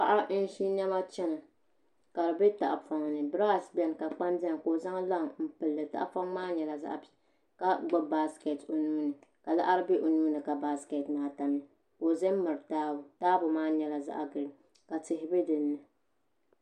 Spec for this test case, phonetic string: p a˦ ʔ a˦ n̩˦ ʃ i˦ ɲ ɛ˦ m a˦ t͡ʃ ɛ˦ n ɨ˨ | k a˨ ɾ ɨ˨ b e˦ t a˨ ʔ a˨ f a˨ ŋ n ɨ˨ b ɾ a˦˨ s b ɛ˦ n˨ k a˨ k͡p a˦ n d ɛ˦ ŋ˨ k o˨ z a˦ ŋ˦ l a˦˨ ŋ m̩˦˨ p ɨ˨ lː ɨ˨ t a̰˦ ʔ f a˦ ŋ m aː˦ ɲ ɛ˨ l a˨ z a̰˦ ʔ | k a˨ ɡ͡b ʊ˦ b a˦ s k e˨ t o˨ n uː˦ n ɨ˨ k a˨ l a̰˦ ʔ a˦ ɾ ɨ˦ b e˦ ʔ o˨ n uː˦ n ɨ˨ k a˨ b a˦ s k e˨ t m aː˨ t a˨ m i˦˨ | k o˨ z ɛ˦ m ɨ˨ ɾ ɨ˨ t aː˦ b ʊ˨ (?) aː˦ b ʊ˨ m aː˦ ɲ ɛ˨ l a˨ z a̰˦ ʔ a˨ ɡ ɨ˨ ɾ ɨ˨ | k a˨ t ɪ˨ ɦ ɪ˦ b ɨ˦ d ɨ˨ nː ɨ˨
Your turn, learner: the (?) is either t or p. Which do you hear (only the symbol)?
t